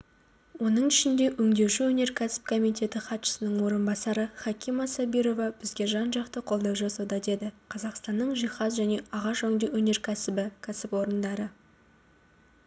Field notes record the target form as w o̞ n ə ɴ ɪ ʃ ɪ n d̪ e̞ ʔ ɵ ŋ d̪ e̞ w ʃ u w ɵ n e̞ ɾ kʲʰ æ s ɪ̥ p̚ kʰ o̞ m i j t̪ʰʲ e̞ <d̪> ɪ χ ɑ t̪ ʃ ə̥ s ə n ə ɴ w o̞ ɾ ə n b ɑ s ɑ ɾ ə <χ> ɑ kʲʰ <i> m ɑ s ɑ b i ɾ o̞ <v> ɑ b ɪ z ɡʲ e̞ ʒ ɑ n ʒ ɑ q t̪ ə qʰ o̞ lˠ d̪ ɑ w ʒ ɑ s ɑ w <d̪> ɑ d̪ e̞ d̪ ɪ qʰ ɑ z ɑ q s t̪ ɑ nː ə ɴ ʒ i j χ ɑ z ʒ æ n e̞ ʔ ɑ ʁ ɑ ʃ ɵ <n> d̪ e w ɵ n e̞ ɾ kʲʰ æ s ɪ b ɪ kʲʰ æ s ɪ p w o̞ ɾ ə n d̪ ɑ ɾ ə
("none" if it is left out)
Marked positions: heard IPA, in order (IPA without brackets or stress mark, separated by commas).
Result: t̪, χ, i, v, d̪, ŋ